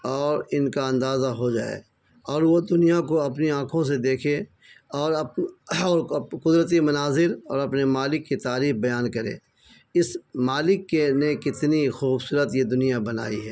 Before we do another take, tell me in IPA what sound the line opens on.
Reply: ɔː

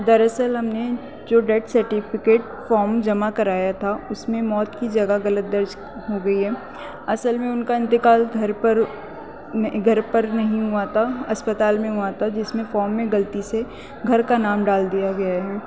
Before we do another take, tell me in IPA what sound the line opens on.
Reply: d̪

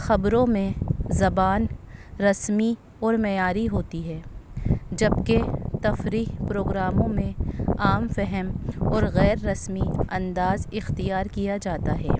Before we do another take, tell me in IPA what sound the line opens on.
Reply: x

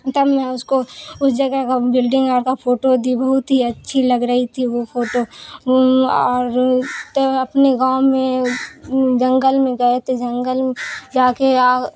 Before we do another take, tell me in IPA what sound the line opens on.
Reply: t̪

